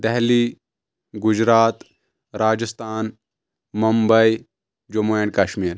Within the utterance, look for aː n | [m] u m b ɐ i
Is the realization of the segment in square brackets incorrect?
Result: no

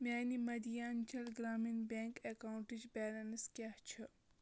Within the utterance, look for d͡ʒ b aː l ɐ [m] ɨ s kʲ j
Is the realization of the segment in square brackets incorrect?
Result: yes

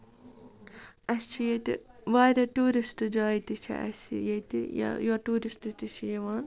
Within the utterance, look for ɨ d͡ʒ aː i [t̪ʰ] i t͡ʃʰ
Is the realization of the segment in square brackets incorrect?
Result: yes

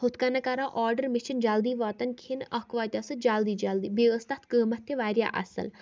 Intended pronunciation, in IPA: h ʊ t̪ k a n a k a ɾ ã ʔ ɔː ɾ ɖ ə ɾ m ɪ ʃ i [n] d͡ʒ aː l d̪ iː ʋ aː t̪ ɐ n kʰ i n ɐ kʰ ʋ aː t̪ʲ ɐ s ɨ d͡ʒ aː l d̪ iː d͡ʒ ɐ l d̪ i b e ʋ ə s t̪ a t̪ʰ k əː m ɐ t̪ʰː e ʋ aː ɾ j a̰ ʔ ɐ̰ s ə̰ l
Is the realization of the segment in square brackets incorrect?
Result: no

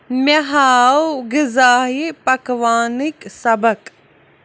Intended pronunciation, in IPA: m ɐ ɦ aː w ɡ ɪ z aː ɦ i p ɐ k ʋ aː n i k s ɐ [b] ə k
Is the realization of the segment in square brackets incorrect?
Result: no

